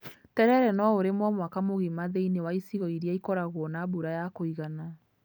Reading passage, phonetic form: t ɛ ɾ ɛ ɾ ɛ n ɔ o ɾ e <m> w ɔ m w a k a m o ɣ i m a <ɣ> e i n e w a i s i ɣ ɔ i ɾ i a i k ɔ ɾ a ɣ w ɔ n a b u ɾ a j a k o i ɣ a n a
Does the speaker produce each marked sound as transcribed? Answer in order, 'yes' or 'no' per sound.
yes, no

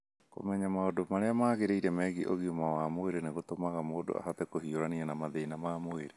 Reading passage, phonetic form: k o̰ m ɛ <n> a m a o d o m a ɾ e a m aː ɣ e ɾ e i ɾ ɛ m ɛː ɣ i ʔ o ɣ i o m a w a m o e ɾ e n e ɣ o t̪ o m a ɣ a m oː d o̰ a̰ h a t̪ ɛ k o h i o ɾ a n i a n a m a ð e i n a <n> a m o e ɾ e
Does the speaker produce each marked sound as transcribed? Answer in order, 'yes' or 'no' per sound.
no, no

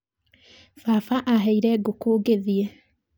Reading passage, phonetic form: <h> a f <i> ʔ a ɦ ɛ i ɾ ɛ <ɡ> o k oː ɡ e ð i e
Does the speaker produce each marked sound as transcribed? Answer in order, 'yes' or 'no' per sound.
no, no, yes

